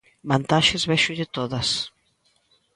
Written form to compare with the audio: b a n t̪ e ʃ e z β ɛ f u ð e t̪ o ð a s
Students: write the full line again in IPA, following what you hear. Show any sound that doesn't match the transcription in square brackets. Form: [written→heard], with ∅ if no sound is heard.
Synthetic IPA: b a n t̪ [e→a] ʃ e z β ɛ [f→ʃ] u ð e t̪ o ð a s